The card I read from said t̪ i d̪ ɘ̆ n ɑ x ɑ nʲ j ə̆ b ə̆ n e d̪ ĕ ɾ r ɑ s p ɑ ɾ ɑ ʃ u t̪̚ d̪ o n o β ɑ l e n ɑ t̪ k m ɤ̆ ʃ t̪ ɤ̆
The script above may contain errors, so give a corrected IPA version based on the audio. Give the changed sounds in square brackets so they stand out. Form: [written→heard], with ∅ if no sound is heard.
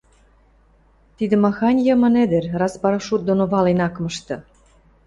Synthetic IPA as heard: t̪ i d̪ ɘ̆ [n→m] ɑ x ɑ nʲ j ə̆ [b→m] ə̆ n e d̪ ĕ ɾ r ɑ s p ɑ ɾ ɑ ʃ u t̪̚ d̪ o n o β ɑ l e n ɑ [t̪→∅] k m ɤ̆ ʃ t̪ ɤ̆